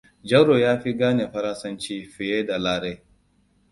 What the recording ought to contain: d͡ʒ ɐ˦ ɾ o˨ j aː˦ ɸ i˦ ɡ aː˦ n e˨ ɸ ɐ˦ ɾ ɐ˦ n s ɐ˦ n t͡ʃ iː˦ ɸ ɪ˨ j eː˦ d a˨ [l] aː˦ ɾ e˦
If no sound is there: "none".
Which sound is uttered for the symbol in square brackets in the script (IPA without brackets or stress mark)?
l